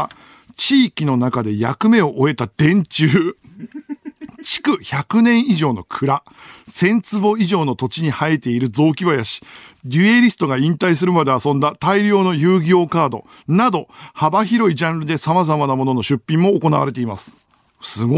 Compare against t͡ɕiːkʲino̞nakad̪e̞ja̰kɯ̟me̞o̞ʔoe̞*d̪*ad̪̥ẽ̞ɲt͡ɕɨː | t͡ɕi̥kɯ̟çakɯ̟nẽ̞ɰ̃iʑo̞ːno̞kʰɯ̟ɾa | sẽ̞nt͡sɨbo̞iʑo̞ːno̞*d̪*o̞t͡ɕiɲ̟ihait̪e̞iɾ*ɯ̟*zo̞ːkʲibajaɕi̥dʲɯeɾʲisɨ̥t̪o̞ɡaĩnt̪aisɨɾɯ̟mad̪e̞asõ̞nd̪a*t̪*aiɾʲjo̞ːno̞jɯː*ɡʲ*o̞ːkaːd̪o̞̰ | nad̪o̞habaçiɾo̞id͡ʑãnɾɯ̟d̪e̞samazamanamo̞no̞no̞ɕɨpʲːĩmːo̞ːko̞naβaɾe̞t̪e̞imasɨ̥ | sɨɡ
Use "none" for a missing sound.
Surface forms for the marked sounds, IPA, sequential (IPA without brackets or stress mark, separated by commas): t̪, t̪, ɯ̟, t̪, ɡʲ